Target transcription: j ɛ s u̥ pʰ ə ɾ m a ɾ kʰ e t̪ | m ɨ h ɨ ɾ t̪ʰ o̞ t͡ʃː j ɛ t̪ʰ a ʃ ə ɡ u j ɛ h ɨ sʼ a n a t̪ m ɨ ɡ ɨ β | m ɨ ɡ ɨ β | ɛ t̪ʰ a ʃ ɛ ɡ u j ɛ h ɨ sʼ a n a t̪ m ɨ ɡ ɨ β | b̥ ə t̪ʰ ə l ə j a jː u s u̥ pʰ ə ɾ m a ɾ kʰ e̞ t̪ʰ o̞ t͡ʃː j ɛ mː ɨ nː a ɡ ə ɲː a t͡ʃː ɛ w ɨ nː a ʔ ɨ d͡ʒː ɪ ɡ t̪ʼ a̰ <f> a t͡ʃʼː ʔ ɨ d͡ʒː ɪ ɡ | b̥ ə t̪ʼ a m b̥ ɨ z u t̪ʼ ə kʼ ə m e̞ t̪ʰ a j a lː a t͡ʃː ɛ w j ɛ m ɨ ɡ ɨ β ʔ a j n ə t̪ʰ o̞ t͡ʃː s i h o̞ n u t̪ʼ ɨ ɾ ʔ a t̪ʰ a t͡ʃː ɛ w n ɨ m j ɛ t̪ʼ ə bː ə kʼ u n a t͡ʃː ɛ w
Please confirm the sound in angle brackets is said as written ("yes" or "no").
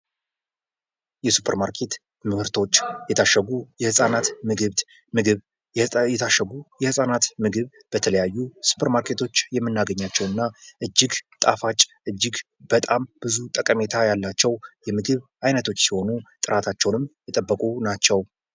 yes